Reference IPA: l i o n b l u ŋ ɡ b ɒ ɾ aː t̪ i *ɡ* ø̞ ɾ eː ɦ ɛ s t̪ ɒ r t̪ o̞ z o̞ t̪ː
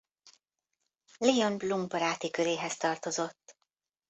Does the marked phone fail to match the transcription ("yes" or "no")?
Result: yes